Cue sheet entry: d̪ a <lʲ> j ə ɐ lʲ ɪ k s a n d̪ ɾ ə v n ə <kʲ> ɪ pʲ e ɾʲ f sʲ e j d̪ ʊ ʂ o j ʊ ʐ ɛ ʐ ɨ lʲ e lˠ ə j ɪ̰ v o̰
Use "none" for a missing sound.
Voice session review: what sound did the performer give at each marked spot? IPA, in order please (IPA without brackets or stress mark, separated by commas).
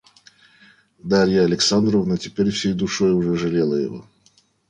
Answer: ɾʲ, tʲ